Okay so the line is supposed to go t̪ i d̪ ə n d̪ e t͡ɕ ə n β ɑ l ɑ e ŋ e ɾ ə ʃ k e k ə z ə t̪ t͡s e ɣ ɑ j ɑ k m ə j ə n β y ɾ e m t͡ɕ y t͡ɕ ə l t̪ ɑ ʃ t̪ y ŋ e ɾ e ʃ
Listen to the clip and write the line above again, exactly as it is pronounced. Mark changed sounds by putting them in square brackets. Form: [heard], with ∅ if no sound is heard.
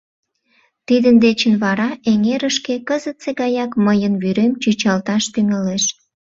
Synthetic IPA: t̪ i d̪ ə n d̪ e t͡ɕ ə n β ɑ [ɾ] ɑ e ŋ e ɾ ə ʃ k e k ə z ə t̪ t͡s e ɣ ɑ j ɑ k m ə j ə n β y ɾ e m t͡ɕ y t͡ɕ [ɑ] l t̪ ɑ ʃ t̪ y ŋ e [l] e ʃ